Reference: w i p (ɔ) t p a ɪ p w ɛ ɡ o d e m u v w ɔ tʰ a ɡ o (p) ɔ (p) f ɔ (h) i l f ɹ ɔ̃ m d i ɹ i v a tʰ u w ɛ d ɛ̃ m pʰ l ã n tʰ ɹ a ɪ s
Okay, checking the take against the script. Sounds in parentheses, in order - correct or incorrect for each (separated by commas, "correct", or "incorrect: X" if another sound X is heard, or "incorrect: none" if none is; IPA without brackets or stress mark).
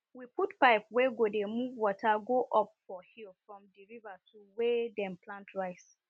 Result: incorrect: u, incorrect: ʔ, correct, correct